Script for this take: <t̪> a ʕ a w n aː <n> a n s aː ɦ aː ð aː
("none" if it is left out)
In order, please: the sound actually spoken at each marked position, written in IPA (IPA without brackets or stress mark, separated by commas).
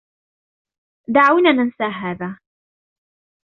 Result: d̪, n